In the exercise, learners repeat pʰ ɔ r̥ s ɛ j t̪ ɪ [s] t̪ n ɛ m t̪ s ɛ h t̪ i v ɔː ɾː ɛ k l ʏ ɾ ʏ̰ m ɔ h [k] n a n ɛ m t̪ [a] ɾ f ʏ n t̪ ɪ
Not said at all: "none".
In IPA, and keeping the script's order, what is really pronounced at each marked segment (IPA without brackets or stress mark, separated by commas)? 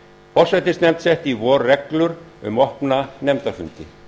s, p, a